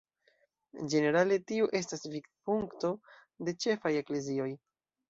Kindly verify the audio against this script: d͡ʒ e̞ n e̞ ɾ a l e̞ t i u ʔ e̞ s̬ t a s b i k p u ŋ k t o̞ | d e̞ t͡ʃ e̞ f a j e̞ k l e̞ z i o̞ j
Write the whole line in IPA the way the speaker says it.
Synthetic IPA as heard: d͡ʒ e̞ n e̞ ɾ a l e̞ t i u ʔ e̞ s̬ t a s v i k p u ŋ k t o̞ | d e̞ t͡ʃ e̞ f a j e̞ k l e̞ z i o̞ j

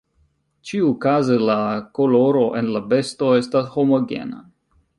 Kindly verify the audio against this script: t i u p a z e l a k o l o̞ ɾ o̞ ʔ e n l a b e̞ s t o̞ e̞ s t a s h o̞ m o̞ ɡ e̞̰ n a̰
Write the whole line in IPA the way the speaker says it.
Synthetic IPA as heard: t͡ʃ i u k a z e l a k o l o̞ ɾ o̞ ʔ e n l a b e̞ s t o̞ e̞ s t a s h o̞ m o̞ ɡ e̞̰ n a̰

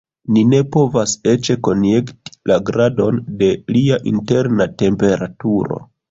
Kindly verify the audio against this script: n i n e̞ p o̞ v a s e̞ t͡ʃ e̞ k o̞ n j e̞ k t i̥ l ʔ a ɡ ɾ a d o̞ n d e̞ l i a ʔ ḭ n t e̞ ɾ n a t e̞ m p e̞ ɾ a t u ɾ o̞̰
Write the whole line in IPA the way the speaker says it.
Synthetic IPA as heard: n i n e̞ p o̞ v a s e̞ t͡ʃ e̞ k o̞ n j e̞ k t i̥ l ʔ a ɡ ɾ a d o̞ n d e̞ l i a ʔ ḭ n t e̞ ɾ n a t e̞ m p e̞ ɾ a t u ɾ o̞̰

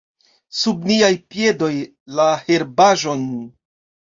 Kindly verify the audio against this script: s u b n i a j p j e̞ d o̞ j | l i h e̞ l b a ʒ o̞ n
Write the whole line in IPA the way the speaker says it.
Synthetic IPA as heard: s u b n i a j p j e̞ d o̞ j | l a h e̞ ɾ b a ʒ o̞ n

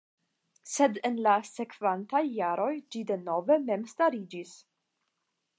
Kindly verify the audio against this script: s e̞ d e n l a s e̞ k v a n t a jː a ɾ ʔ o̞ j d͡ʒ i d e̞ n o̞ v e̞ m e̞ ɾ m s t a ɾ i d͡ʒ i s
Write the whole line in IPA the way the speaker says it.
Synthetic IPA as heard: s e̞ d e n l a s e̞ k v a n t a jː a ɾ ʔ o̞ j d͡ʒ i d e̞ n o̞ v e̞ m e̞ m s t a ɾ i d͡ʒ i s

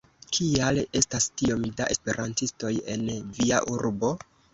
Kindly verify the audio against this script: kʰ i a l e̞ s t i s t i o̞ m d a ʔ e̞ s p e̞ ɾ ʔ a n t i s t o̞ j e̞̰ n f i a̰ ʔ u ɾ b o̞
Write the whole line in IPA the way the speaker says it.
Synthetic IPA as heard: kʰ i a l e̞ s t a s t i o̞ m d a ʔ e̞ s p e̞ ɾ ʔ a n t i s t o̞ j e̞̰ n v i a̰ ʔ u ɾ b o̞

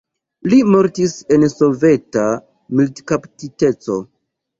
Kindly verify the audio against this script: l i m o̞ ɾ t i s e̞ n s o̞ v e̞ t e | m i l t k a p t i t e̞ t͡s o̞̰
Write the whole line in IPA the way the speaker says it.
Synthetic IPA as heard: l i m o̞ ɾ t i s e̞ n s o̞ v e̞ t a | m i l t k a p t i t e̞ t͡s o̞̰

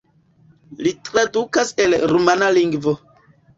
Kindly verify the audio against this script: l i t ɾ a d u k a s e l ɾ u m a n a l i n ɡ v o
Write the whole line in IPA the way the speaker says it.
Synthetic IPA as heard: l i t ɾ a d u k a s e l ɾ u m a n a l i ŋ ɡ v o

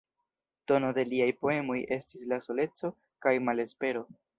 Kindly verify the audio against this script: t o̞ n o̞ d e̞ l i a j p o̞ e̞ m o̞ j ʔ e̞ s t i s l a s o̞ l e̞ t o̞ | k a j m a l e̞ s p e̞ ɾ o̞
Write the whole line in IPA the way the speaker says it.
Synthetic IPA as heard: t o̞ n o̞ d e̞ l i a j p o̞ e̞ m o̞ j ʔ e̞ s t i s l a s o̞ l e̞ t͡s o̞ | k a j m a l e̞ s p e̞ ɾ o̞

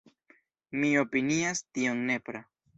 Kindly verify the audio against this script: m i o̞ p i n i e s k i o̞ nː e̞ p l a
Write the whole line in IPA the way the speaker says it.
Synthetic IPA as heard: m i o̞ p i n i a s t i o̞ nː e̞ p ɾ a

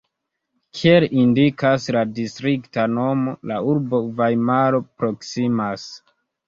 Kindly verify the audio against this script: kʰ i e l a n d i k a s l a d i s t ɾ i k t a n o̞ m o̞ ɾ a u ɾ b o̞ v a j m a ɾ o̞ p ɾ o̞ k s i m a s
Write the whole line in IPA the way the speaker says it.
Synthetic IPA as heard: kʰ i e l i n d i k a s l a d i s t ɾ i k t a n o̞ m o̞ l a u ɾ b o̞ v a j m a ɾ o̞ p ɾ o̞ k s i m a s

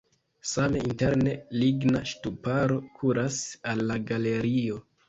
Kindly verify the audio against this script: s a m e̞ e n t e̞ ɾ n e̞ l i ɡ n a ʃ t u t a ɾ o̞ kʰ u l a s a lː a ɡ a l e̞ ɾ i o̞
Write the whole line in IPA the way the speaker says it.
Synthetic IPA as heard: s a m e̞ i n t e̞ ɾ n e̞ l i ɡ n a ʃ t u p a ɾ o̞ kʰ u ɾ a s a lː a ɡ a l e̞ ɾ i o̞

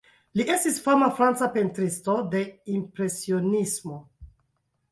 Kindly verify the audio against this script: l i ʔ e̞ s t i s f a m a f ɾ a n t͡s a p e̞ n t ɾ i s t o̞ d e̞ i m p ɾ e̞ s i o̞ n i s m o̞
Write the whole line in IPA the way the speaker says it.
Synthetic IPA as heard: l i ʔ e̞ s t i s f a m a f ɾ a n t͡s a p e̞ n t ɾ i s t o̞ d e̞ i m p ɾ e̞ s i o̞ n i s m o̞

